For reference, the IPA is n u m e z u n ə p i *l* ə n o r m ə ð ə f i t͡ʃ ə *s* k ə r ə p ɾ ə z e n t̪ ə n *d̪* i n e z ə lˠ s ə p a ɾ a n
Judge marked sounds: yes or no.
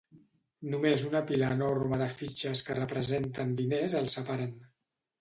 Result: yes, yes, yes

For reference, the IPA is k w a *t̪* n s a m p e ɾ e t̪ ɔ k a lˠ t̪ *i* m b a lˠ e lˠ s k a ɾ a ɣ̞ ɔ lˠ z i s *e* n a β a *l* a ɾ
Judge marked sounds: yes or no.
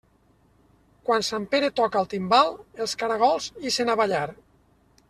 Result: no, yes, yes, no

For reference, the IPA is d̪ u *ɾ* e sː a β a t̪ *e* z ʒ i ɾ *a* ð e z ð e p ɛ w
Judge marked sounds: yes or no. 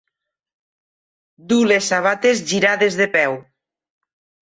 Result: no, yes, yes

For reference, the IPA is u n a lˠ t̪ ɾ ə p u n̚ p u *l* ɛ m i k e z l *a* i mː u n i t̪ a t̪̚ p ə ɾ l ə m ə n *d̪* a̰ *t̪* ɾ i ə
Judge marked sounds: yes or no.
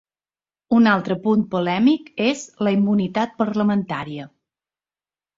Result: yes, no, no, no

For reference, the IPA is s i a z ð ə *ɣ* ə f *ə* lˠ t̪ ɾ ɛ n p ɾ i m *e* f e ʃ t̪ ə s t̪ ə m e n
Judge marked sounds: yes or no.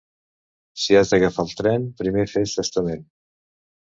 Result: yes, no, yes

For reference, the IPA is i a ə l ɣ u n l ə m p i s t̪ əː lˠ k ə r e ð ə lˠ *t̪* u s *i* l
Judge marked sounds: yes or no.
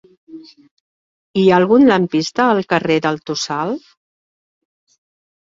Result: yes, no

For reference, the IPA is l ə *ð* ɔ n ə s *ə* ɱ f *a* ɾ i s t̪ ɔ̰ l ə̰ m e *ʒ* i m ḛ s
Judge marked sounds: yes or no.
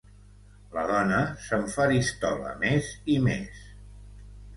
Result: yes, yes, yes, no

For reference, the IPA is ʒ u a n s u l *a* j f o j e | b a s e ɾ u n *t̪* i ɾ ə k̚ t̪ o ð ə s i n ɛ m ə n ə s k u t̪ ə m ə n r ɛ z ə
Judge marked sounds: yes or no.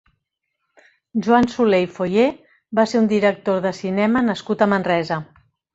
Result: no, no

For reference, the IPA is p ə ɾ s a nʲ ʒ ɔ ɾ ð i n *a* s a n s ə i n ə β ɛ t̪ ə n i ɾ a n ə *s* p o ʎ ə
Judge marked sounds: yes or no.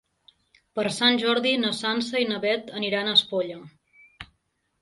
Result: no, yes

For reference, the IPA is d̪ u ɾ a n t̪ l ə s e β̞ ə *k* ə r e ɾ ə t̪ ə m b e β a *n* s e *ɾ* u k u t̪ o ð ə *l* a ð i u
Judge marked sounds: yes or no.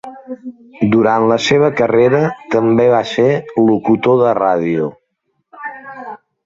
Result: yes, no, no, no

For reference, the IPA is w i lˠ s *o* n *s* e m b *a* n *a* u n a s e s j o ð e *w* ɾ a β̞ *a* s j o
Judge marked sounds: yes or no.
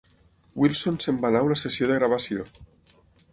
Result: yes, yes, yes, yes, no, yes

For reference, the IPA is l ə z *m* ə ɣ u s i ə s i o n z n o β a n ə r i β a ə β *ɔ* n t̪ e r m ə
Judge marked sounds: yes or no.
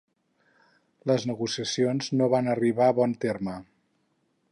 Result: no, yes

